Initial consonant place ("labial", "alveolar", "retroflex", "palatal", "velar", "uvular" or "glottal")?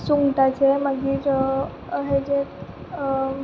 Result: alveolar